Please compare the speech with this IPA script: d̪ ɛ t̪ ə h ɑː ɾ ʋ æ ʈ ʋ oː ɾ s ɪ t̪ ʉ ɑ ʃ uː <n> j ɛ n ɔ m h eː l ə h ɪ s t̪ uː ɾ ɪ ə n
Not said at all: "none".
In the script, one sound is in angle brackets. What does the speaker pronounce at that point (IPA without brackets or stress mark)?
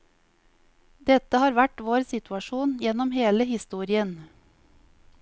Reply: n